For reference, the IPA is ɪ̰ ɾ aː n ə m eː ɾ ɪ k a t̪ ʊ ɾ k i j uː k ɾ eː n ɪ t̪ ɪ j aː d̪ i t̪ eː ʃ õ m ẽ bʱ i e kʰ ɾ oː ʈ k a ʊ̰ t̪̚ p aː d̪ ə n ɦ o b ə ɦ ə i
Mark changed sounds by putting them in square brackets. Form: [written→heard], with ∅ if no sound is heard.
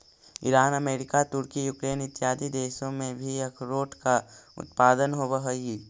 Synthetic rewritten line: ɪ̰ ɾ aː n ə m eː ɾ ɪ k a t̪ ʊ ɾ k i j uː k ɾ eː n ɪ t̪ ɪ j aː d̪ i [t̪→d̪] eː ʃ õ m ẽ bʱ i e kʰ ɾ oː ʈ k a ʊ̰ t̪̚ p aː d̪ ə n ɦ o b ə ɦ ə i